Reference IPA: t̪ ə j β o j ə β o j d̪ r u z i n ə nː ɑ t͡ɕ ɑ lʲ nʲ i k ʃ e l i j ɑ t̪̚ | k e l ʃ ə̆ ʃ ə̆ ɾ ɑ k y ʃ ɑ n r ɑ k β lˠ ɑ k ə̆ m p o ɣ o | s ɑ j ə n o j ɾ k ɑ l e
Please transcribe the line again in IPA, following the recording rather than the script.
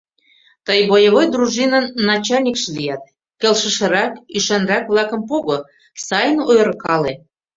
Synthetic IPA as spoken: t̪ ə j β o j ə β o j d̪ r u ʒ i n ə nː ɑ t͡ɕ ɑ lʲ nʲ i k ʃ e l i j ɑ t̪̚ | k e l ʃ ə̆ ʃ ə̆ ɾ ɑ k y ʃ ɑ n r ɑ k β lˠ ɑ k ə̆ m p o ɣ o | s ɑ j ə n o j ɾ k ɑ l e